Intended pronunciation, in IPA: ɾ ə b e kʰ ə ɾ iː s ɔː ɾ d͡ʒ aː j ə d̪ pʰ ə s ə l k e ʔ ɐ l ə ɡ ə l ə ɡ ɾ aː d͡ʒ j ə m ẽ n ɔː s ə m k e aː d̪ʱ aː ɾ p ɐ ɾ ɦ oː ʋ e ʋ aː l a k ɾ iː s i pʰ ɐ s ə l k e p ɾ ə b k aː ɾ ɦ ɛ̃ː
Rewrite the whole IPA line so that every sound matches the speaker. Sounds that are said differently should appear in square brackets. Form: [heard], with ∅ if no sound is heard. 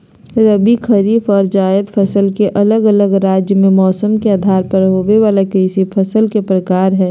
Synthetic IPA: ɾ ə b [i] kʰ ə ɾ iː [f] ɔː ɾ d͡ʒ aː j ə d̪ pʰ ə s ə l k e ʔ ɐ l ə ɡ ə l ə ɡ ɾ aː d͡ʒ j ə m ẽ [m] ɔː s ə m k e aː d̪ʱ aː ɾ p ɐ ɾ ɦ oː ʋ e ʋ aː l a k ɾ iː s i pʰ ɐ s ə l k e p ɾ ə [∅] k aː ɾ ɦ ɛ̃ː